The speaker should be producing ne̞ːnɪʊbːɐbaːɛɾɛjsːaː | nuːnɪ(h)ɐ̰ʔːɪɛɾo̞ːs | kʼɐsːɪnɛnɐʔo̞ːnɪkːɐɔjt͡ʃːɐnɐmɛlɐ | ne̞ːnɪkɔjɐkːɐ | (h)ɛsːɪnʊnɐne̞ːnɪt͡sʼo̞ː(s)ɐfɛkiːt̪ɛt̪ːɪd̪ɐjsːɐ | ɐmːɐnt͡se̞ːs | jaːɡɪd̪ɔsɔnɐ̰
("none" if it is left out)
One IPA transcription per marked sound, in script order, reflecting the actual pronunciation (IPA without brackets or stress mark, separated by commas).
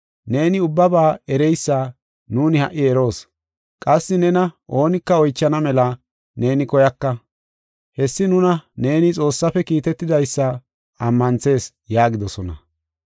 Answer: h, h, sː